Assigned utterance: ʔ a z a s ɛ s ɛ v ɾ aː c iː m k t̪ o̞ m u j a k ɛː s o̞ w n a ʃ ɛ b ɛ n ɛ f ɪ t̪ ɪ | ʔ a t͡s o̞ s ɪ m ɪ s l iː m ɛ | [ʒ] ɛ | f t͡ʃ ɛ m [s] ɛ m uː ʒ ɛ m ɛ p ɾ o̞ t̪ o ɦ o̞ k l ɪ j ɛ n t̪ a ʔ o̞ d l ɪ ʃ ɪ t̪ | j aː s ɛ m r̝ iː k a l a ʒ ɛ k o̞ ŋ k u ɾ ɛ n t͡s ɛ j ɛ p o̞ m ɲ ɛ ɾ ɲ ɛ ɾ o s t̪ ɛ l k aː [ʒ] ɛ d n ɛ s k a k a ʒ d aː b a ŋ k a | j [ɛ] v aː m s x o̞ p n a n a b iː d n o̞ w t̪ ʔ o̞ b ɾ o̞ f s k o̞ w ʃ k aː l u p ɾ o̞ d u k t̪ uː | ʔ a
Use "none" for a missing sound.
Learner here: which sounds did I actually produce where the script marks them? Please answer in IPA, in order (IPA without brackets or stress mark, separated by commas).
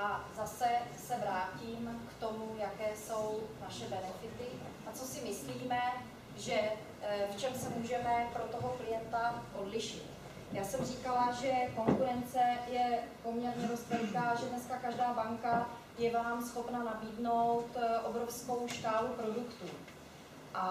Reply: ʒ, s, ʒ, ɛ